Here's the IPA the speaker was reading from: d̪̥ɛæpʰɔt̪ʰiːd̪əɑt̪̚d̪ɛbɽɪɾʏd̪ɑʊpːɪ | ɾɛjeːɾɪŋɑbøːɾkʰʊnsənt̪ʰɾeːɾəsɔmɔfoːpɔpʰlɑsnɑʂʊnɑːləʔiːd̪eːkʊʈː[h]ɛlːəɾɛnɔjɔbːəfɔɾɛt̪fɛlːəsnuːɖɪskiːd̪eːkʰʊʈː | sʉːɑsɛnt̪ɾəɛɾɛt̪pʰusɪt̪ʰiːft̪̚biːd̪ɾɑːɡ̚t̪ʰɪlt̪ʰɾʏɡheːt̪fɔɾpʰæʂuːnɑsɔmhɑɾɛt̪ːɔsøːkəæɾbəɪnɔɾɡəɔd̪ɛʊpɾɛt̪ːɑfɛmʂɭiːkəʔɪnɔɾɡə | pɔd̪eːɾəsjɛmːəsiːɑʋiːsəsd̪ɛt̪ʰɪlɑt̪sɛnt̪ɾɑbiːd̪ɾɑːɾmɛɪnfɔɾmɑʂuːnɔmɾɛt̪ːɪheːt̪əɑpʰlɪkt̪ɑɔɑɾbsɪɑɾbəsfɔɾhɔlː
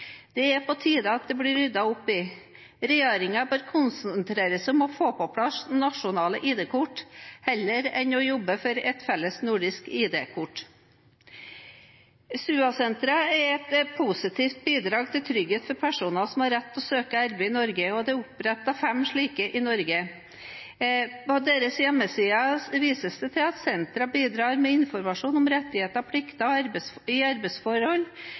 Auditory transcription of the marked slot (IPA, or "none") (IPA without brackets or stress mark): h